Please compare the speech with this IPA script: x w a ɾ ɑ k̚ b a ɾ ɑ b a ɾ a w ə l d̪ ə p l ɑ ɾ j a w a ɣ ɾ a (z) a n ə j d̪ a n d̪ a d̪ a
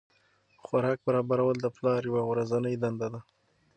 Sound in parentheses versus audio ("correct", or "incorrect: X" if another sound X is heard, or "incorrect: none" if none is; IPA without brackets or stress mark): correct